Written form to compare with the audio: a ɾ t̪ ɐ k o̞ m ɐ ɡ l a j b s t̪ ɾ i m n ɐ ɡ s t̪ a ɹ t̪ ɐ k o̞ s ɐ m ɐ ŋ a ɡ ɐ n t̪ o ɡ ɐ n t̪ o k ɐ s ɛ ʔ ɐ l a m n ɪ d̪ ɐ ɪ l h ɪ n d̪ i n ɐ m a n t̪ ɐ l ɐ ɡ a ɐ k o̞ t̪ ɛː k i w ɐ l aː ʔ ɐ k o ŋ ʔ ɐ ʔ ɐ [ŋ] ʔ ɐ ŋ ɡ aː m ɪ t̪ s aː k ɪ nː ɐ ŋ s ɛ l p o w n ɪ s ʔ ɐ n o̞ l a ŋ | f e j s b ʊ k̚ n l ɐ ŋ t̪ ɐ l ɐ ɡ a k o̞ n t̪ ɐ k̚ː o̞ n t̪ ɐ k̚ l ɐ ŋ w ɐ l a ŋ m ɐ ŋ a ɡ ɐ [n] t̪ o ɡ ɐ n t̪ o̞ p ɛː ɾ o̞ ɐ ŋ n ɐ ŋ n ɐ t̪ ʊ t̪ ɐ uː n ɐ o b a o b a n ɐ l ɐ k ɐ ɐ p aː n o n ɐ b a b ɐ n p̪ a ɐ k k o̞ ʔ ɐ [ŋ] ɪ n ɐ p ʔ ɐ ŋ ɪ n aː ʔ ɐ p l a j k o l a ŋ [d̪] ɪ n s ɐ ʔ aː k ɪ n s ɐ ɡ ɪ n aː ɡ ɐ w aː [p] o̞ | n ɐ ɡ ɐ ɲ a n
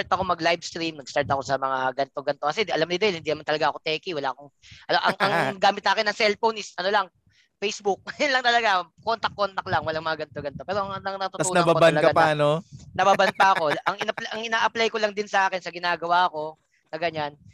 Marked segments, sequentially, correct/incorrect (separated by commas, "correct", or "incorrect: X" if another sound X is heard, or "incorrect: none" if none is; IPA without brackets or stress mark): correct, correct, correct, correct, incorrect: k